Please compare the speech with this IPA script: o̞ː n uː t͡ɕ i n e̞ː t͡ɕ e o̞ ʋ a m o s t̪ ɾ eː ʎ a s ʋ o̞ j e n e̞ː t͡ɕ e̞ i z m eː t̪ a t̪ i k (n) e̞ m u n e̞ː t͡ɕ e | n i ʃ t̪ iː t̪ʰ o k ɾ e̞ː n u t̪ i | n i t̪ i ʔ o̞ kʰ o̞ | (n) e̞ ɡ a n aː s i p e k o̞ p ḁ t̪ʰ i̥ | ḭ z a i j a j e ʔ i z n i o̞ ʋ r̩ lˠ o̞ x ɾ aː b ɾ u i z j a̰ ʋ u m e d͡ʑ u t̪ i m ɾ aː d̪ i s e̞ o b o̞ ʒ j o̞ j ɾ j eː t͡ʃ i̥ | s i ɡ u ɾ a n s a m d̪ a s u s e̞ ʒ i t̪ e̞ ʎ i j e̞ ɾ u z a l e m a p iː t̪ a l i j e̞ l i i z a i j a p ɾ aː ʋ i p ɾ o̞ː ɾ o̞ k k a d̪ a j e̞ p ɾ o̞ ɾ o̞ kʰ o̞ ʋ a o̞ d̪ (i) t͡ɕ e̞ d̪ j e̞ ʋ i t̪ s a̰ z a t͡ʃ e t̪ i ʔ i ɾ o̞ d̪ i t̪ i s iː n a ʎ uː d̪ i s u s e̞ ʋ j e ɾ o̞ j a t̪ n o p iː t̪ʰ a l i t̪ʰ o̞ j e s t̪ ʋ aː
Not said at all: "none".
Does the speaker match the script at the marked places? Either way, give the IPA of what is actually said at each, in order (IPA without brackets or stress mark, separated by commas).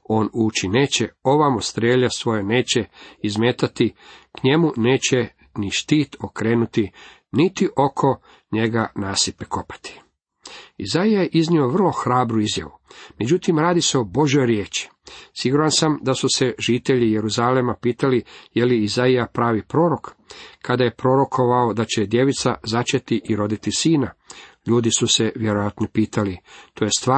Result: ɲ, ɲ, a